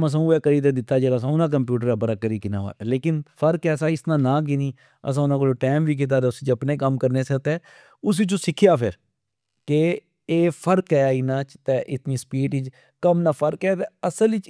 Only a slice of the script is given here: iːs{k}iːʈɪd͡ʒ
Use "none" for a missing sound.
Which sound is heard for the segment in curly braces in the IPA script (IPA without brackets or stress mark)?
p